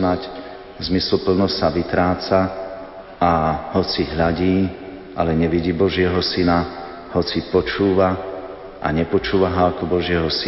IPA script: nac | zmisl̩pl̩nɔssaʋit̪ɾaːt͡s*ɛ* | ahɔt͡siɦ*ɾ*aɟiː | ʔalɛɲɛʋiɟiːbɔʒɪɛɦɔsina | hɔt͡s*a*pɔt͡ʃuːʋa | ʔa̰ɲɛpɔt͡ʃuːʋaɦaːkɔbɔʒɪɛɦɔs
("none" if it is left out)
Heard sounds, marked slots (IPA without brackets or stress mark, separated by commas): a, ʎ, i